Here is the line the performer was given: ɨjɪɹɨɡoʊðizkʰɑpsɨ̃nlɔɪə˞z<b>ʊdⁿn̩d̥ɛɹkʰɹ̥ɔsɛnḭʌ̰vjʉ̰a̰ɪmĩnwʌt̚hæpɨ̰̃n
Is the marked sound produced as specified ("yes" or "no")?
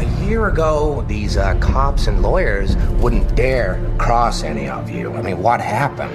no